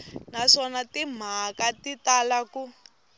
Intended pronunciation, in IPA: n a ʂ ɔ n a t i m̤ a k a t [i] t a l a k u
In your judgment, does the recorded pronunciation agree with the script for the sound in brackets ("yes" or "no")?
yes